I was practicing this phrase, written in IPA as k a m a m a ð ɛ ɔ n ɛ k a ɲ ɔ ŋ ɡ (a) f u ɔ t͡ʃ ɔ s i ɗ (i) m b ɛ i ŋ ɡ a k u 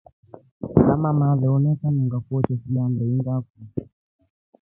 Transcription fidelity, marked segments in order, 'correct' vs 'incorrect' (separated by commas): correct, incorrect